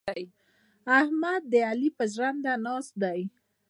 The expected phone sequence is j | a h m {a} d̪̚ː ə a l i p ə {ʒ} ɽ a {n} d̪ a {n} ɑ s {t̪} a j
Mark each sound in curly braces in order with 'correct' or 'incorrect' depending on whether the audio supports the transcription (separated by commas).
correct, correct, correct, correct, incorrect